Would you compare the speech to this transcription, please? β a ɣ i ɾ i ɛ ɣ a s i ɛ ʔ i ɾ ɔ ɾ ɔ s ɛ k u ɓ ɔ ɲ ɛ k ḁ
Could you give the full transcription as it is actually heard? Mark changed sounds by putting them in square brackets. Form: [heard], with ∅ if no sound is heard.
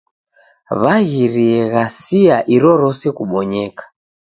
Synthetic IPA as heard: β a ɣ i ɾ i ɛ ɣ a s i [a] ʔ i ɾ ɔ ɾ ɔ s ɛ k u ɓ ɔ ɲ ɛ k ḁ